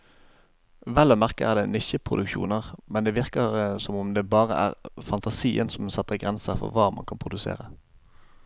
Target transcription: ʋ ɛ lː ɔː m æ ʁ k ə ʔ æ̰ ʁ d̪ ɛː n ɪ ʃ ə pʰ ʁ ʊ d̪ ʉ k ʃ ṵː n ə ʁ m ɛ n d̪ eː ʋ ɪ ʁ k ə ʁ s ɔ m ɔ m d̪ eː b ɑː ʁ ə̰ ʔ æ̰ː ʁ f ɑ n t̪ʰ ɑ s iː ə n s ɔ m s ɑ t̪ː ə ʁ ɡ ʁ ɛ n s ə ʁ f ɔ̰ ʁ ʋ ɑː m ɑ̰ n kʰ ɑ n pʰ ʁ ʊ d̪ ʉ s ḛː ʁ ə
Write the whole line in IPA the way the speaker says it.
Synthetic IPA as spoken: ʋ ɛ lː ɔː m æ ʁ k ə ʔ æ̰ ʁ d̪ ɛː n ɪ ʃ ə pʰ ʁ ʊ d̪ ʉ k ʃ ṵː n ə ʁ m ɛ n d̪ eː ʋ ɪ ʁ k ə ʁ s ɔ m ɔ m d̪ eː b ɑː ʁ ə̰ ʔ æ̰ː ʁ f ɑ n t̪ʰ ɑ s iː ə n s ɔ m s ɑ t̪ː ə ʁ ɡ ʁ ɛ n s ə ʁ f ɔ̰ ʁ ʋ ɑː m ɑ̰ n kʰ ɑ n pʰ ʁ ʊ d̪ ʉ s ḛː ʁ ə

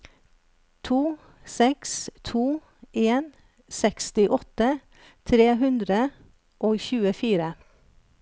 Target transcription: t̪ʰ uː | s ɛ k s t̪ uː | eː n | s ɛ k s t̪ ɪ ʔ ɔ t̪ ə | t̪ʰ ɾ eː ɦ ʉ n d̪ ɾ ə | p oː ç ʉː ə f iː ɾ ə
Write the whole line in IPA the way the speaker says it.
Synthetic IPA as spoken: t̪ʰ uː | s ɛ k s t̪ʰ uː | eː n | s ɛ k s t̪ ɪ ʔ ɔ t̪ ə | t̪ʰ ɾ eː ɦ ʉ n d̪ ɾ ə | ʔ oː ç ʉː ə f iː ɾ ə

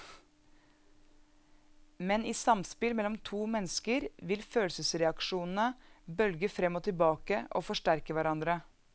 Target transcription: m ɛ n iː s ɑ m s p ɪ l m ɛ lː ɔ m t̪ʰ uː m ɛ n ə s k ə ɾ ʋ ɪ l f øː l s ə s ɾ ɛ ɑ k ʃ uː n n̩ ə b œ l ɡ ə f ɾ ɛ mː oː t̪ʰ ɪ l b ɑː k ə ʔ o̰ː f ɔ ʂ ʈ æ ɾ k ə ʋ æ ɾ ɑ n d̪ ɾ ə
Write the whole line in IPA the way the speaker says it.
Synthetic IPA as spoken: m ɛ n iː s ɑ m s p ɪ l m ɛ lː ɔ m t̪ʰ uː m ɛ n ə s k ə ɾ ʋ ɪ l f øː l s ə s ɾ ɛ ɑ k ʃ uː n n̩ ə b œ l ɡ ə f ɾ ɛ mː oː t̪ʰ ɪ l b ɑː k ə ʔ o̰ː f ɔ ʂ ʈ æ ɾ k ə ʋ æ ɾ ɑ n d̪ ɾ ə

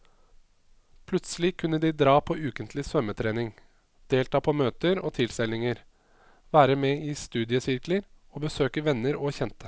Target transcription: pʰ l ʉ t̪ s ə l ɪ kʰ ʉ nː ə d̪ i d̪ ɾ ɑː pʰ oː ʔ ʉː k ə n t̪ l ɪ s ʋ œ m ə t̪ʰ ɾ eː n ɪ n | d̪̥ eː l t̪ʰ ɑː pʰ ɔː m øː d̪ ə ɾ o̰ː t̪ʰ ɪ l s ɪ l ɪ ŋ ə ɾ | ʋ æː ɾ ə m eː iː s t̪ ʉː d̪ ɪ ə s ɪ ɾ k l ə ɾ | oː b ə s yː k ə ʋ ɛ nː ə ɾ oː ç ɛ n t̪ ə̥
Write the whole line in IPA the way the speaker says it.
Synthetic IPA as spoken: pʰ l ʉ t̪ s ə l ɪ kʰ ʉ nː ə d̪ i d̪ ɾ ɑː pʰ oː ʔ ʉː k ə n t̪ l ɪ s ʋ œ m ə t̪ʰ ɾ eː n ɪ ŋ | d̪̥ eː l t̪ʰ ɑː pʰ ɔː m øː t̪ ə ɾ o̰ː t̪ʰ ɪ l s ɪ l ɪ ŋ ə ɾ | ʋ æː ɾ ə m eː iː s t̪ ʉː d̪ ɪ ə s ɪ ɾ k l ə ɾ | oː b ə s øː k ə ʋ ɛ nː ə ɾ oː ç ɛ n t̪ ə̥

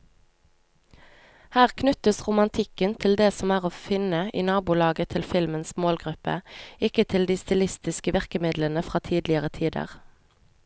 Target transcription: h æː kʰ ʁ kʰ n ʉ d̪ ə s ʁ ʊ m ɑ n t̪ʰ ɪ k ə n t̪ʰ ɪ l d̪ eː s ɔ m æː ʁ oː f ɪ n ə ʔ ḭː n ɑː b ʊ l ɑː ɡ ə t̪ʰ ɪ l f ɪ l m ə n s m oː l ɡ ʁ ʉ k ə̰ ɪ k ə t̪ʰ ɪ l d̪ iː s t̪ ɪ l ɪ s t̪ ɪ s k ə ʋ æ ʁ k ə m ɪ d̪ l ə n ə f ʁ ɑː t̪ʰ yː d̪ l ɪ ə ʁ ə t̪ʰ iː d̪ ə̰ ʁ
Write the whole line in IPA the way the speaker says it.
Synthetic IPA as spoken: h æː ʁ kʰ n ʉ t̪ ə s ʁ ʊ m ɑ n t̪ʰ ɪ k ə n t̪ʰ ɪ l d̪ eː s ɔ m æː ʁ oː f ɪ n ə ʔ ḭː n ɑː b ʊ l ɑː ɡ ə t̪ʰ ɪ l f ɪ l m ə n s m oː l ɡ ʁ ʉ p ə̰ ɪ k ə t̪ʰ ɪ l d̪ iː s t̪ ɪ l ɪ s t̪ ɪ s k ə ʋ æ ʁ k ə m ɪ d̪ l ə n ə f ʁ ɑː t̪ʰ iː d̪ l ɪ ə ʁ ə t̪ʰ iː d̪ ə̰ ʁ

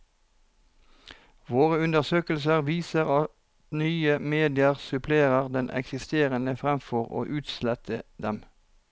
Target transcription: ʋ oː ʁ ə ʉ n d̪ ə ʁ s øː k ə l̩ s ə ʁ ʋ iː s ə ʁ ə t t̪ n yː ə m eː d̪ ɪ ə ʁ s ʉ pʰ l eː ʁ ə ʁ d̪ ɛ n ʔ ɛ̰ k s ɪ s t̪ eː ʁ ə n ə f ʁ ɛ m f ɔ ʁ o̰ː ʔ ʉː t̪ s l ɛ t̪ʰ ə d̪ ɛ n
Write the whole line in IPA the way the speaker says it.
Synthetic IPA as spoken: ʋ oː ʁ ə ʉ n d̪ ə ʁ s øː k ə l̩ s ə ʁ ʋ iː s ə ʁ ɑ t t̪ n yː ə m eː d̪ ɪ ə ʁ s ʉ pʰ l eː ʁ ə ʁ d̪ ɛ n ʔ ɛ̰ k s ɪ s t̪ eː ʁ ə n ə f ʁ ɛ m f ɔ ʁ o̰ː ʔ ʉː t̪ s l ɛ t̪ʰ ə d̪ ɛ m

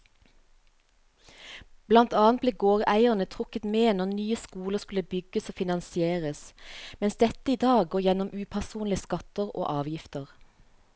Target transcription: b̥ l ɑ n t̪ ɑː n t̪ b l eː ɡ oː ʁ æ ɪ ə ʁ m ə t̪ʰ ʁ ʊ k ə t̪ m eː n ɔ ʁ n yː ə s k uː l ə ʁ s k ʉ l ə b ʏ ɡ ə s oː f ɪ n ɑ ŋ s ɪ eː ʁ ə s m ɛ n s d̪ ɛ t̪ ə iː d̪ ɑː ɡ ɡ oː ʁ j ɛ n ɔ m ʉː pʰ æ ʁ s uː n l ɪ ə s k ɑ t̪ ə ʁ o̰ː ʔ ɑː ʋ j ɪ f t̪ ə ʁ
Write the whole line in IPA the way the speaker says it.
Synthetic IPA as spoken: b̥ l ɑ n t̪ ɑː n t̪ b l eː ɡ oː ʁ æ ɪ ə ʁ n ə t̪ʰ ʁ ʊ k ə t̪ m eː n ɔ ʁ n yː ə s k uː l ə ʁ s k ʉ l ə b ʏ ɡ ə s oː f ɪ n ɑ n s ɪ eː ʁ ə s m ɛ n s d̪ ɛ t̪ ə iː d̪ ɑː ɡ ɡ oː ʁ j ɛ n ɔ m ʉː pʰ æ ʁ s uː n l ɪ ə s k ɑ t̪ ə ʁ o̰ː ʔ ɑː ʋ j ɪ f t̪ ə ʁ

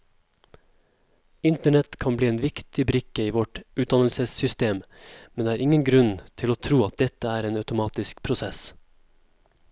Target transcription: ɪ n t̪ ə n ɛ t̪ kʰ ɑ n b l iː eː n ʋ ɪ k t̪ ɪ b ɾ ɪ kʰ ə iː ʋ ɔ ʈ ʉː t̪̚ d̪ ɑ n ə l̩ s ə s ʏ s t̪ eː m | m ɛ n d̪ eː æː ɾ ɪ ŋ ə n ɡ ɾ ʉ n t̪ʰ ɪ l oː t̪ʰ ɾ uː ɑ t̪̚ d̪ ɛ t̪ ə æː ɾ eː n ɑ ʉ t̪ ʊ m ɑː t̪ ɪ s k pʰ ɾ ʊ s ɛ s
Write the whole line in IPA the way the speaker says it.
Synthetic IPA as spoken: ɪ n t̪ ə ɳ ɛ t̪ kʰ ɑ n b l iː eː n ʋ ɪ k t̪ ɪ b ɾ ɪ k ə iː ʋ ɔ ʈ ʉː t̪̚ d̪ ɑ n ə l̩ s ə s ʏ s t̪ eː m | m ɛ n d̪ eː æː ɾ ɪ ŋ ə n ɡ ɾ ʉ n t̪ʰ ɪ l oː t̪ʰ ɾ uː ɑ t̪̚ d̪ ɛ t̪ ə æː ɾ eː n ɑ ʉ t̪ ʊ m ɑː t̪ ɪ s k pʰ ɾ ʊ s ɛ s

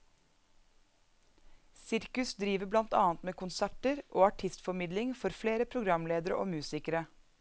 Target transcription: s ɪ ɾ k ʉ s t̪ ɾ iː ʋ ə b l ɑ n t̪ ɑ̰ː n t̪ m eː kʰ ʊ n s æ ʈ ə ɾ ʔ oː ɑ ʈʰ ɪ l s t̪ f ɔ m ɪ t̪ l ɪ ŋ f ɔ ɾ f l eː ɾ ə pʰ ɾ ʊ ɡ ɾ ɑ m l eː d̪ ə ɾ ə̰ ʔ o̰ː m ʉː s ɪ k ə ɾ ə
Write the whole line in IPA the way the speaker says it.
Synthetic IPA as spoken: s ɪ ɾ k ʉ s d̪ ɾ iː ʋ ə b l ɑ n t̪ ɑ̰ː n t̪ m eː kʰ ʊ n s æ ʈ ə ɾ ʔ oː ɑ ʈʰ ɪ s t̪ f ɔ m ɪ d̪ l ɪ ŋ f ɔ ɾ f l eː ɾ ə pʰ ɾ ʊ ɡ ɾ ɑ m l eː d̪ ə ɾ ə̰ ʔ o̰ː m ʉː s ɪ k ə ɾ ə

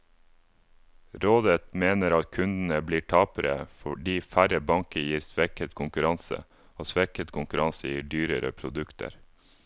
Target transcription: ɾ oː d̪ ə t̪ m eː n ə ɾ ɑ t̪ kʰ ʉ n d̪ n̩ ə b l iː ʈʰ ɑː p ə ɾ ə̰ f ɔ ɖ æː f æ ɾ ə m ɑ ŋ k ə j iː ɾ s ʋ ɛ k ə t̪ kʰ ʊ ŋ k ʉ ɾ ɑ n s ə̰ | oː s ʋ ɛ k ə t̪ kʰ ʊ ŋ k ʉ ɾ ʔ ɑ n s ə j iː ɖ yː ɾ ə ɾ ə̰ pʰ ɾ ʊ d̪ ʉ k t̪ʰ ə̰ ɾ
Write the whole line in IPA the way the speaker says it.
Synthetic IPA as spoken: ɾ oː d̪ ə t̪ m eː n ə ɾ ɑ t̪ kʰ ʉ n d̪ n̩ ə b l iː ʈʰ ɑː p ə ɾ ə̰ f ɔ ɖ iː f æ ɾ ə b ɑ ŋ k ə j iː ɾ s ʋ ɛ k ə t̪ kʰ ʊ ŋ k ʉ ɾ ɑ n s ə̰ | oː s ʋ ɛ k ə t̪ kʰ ʊ ŋ k ʉ ɾ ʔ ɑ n s ə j iː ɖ yː ɾ ə ɾ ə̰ pʰ ɾ ʊ d̪ ʉ k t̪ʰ ə̰ ɾ

